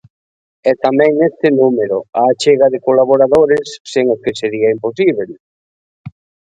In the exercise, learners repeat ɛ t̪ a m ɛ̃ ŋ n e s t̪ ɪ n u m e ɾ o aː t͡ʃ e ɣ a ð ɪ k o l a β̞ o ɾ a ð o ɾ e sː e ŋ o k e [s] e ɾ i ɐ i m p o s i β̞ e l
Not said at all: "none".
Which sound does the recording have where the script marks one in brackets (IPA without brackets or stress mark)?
s